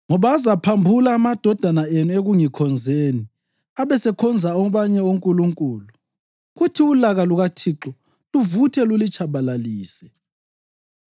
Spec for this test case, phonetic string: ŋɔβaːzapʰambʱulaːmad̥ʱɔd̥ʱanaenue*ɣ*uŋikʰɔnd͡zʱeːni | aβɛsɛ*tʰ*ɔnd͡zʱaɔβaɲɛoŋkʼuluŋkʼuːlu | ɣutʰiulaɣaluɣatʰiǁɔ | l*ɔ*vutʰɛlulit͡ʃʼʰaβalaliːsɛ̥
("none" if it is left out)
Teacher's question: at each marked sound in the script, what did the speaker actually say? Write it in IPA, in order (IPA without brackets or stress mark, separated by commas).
ɣ, kʰ, u